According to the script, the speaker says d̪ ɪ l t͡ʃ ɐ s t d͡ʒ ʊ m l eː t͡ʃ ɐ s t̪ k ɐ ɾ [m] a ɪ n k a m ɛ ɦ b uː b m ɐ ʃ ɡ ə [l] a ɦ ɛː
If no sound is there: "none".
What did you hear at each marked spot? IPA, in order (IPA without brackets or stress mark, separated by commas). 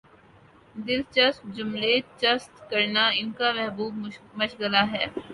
n, l